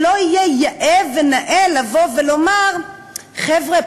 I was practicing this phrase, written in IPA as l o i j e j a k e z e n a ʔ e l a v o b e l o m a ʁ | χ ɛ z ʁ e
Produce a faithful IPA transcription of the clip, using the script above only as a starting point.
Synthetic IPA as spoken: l o i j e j a ʔ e v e n a ʔ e l a v o v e l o m a ʁ | χ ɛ v ʁ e